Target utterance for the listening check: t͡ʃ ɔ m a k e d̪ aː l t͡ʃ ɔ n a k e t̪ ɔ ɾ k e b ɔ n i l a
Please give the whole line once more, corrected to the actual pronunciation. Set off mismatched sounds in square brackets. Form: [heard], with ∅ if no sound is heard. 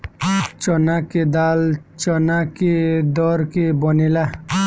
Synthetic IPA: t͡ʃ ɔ [n] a k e d̪ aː l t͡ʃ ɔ n a k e [d̪] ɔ ɾ k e b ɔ n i l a